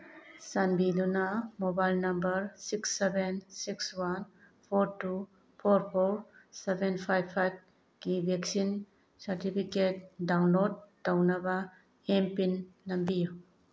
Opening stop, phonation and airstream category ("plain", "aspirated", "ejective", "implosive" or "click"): plain